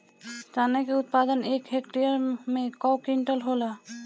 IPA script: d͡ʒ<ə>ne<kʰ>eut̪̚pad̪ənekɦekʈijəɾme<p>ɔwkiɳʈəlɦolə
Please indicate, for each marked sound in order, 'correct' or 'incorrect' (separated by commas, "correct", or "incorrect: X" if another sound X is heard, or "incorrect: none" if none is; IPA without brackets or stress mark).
incorrect: a, incorrect: k, incorrect: k